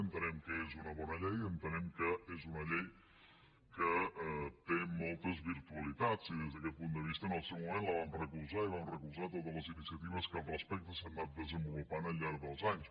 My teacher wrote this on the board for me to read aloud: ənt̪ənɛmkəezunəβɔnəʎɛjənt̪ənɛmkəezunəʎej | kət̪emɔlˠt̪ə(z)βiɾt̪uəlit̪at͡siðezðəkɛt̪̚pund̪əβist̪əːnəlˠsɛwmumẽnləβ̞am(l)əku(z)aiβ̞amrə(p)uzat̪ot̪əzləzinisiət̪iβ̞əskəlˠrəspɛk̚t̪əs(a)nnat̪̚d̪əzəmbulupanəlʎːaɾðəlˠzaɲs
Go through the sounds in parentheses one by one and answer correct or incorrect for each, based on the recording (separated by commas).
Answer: correct, incorrect, correct, incorrect, correct